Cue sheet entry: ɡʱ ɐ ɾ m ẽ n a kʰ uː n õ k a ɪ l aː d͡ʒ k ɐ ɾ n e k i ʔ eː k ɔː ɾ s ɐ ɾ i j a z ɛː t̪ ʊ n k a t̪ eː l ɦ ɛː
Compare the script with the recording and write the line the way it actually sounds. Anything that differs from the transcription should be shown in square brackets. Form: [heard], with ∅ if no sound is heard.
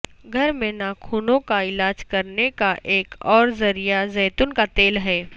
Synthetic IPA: ɡʱ ɐ ɾ m ẽ n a kʰ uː n õ k a ɪ l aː d͡ʒ k ɐ ɾ n e k [a] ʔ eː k ɔː ɾ [z] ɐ ɾ i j a z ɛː t̪ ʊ n k a t̪ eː l ɦ ɛː